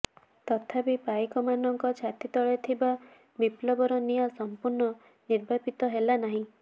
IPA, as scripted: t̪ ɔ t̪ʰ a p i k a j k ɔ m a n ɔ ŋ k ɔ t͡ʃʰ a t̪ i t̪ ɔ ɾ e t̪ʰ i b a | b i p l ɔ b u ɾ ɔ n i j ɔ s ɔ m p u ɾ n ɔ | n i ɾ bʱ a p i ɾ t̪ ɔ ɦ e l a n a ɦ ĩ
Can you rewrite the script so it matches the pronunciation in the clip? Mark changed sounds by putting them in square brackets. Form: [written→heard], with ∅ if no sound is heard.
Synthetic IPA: t̪ ɔ t̪ʰ a p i [k→p] a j k ɔ m a n ɔ ŋ k ɔ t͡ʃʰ a t̪ i t̪ ɔ [ɾ→ɭ] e t̪ʰ i b a | b i p l ɔ b [u→ɔ] ɾ ɔ n i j ɔ s ɔ m p u ɾ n ɔ | n i ɾ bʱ a p i [ɾ→∅] t̪ ɔ ɦ e l a n a ɦ ĩ